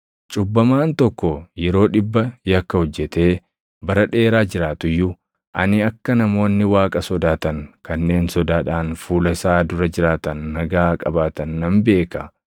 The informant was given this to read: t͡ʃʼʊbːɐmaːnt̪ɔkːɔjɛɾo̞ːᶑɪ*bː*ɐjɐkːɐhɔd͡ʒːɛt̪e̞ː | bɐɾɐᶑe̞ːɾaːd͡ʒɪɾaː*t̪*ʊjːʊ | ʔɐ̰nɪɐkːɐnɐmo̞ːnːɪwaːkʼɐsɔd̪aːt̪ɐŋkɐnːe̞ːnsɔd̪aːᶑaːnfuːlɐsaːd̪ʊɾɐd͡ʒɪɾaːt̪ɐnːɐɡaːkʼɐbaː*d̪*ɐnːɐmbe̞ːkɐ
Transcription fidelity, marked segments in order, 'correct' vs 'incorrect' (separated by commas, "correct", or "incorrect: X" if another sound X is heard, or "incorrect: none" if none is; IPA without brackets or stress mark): correct, correct, incorrect: t̪